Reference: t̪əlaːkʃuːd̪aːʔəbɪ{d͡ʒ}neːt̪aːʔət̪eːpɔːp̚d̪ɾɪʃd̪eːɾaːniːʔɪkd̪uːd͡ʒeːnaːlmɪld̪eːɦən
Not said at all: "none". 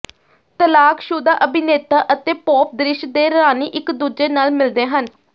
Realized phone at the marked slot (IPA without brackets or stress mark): none